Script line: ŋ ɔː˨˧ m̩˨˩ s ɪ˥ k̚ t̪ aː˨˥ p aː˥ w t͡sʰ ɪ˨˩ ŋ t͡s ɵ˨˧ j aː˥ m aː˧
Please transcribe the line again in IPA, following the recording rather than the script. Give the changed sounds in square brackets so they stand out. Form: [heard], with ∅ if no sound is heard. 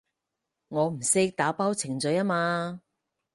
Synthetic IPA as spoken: ŋ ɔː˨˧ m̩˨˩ s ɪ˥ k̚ t̪ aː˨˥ p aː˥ w t͡sʰ ɪ˨˩ ŋ t͡s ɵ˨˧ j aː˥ m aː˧